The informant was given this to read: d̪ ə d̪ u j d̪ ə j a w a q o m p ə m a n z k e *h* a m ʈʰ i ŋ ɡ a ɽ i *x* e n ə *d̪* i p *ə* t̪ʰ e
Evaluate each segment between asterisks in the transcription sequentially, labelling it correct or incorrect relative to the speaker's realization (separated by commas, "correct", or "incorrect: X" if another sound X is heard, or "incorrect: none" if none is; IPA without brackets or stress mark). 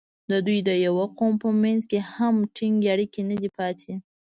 correct, incorrect: k, correct, incorrect: ɑ